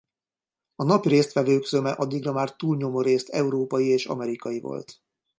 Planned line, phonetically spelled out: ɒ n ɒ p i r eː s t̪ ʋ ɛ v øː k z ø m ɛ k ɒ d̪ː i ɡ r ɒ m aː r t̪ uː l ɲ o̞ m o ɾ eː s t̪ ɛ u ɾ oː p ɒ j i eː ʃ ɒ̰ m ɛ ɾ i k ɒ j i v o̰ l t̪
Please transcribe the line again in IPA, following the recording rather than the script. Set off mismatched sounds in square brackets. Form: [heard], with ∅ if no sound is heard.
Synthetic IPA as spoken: ɒ n ɒ p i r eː s t̪ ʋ ɛ v øː k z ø m ɛ [ʔ] ɒ d̪ː i ɡ r ɒ m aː r t̪ uː l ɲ o̞ m o ɾ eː s t̪ ɛ u ɾ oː p ɒ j i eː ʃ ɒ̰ m ɛ ɾ i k ɒ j i v o̰ l t̪